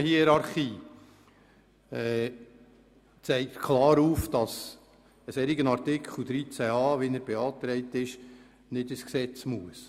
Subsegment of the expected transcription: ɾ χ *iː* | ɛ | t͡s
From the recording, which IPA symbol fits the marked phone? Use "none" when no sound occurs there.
iː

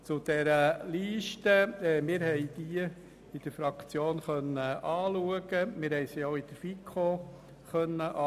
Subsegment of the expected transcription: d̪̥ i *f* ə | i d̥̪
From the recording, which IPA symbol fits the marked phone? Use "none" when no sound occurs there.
none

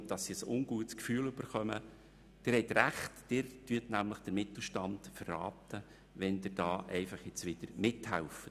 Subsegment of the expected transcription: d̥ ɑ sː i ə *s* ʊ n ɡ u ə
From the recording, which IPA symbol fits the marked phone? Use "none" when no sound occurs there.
s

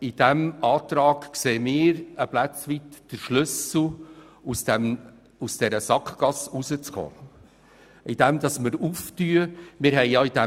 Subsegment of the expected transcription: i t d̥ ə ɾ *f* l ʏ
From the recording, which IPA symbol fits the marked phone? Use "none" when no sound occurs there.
ʃ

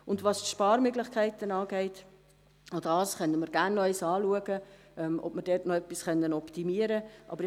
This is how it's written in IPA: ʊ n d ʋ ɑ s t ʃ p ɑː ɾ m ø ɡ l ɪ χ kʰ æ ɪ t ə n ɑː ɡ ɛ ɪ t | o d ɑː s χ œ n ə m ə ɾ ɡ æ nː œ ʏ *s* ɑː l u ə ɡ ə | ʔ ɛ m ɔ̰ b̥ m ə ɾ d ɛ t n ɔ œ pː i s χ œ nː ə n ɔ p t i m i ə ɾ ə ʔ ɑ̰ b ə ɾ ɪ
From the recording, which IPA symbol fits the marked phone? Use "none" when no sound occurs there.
s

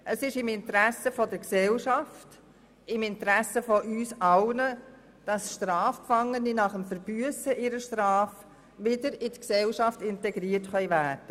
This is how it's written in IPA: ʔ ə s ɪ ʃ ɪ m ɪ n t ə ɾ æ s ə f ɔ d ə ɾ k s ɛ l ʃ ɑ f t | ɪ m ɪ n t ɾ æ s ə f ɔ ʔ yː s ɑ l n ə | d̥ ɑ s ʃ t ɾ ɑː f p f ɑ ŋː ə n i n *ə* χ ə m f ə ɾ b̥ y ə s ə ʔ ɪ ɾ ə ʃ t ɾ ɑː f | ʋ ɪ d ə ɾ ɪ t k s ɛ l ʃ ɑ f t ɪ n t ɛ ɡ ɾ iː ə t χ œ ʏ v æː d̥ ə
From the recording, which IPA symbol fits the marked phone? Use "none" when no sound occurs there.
ɑ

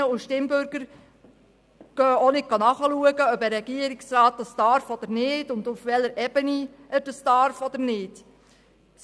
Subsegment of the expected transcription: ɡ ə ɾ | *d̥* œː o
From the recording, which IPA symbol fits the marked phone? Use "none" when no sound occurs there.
ɡ̥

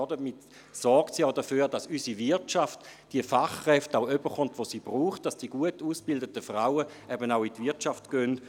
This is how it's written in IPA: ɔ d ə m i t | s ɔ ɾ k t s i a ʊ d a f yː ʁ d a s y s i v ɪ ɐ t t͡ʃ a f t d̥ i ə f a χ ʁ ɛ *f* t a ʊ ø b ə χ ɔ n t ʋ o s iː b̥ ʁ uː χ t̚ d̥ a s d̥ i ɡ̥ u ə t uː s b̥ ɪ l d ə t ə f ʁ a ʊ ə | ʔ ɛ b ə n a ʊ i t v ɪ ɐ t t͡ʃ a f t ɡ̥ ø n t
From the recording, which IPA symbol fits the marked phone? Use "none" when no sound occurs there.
f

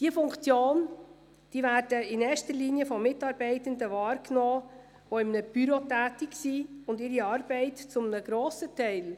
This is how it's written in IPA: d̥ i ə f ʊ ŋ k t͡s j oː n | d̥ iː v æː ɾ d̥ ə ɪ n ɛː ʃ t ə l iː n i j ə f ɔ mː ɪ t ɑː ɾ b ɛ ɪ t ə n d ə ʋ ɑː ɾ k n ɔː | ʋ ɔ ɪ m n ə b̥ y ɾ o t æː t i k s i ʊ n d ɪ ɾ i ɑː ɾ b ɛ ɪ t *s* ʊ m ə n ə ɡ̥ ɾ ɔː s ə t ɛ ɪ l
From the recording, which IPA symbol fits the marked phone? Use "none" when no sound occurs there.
t͡s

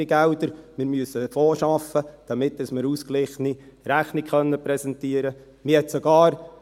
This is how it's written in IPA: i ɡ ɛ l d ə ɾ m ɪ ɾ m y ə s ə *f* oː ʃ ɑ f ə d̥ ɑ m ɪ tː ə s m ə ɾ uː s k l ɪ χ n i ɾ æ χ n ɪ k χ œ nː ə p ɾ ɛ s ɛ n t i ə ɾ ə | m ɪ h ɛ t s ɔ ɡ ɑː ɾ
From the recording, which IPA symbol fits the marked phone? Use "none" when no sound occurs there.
f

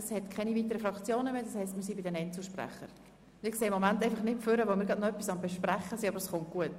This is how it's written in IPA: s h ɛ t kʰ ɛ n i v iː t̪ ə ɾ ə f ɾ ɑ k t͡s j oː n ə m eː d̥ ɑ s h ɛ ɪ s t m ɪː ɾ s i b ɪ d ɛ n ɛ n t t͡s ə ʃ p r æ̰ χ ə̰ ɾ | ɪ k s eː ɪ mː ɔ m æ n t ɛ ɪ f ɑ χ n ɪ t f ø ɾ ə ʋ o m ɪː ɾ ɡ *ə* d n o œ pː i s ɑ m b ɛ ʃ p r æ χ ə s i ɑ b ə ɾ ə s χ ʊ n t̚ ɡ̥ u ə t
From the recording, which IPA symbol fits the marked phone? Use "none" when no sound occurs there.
ɑ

